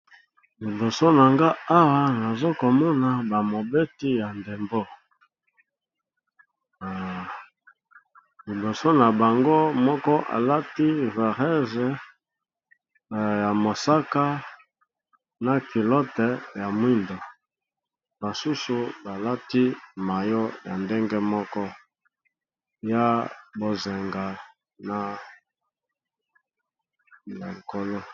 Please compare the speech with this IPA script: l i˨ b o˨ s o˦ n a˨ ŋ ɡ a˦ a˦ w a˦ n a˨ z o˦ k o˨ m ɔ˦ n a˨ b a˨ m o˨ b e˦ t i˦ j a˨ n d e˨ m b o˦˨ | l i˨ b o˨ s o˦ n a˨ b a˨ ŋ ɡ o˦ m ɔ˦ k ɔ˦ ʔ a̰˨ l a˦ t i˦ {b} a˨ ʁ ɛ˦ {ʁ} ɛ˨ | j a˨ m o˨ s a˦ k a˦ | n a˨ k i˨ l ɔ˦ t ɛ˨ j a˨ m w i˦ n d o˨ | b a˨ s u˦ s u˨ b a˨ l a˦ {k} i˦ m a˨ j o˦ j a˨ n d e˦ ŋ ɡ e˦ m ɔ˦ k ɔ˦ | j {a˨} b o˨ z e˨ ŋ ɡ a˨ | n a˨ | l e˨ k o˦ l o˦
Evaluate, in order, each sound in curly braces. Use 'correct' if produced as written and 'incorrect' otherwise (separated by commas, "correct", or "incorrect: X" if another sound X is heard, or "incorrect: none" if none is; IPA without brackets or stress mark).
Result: incorrect: v, incorrect: z, incorrect: t, incorrect: a˦